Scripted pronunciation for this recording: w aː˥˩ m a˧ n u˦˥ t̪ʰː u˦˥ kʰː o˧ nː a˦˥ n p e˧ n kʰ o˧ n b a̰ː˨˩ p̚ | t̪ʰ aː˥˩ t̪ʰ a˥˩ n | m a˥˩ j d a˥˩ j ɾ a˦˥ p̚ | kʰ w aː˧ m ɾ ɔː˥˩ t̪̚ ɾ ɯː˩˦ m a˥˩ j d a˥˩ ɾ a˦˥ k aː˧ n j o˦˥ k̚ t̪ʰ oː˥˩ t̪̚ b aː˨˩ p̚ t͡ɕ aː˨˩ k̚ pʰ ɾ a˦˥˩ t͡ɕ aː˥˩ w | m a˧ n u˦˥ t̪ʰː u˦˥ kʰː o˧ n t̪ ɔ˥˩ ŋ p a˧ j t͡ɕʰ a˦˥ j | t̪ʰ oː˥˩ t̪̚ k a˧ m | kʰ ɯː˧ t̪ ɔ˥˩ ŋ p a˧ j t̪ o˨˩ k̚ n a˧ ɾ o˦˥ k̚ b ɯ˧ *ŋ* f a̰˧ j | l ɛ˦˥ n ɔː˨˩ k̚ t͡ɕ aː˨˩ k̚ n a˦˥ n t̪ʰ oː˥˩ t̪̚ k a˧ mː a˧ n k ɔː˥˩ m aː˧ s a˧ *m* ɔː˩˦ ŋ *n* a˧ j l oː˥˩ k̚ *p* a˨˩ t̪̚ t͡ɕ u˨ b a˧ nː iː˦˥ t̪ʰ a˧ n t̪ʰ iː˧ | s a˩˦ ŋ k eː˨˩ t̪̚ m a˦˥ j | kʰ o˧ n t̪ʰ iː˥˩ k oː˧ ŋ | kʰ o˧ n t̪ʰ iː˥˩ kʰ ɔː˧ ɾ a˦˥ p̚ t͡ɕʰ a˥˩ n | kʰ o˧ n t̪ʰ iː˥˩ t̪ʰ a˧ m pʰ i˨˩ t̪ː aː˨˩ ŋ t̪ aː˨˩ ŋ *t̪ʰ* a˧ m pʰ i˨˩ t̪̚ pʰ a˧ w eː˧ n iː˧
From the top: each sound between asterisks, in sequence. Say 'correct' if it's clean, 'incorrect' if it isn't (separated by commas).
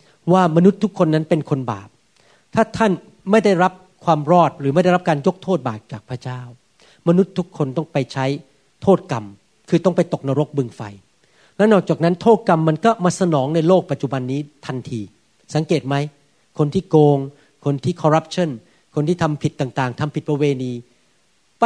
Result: correct, incorrect, correct, correct, correct